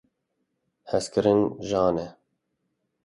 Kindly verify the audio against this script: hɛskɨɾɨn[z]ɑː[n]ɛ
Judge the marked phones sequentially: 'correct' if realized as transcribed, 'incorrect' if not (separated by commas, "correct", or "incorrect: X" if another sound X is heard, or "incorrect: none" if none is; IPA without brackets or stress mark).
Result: incorrect: ʒ, correct